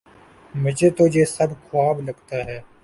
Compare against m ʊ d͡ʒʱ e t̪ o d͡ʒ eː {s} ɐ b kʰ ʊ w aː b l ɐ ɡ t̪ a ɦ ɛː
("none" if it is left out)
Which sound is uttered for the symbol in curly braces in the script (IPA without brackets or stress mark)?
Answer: s